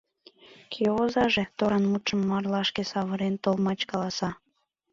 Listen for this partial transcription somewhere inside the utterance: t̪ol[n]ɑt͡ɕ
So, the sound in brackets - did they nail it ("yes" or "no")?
no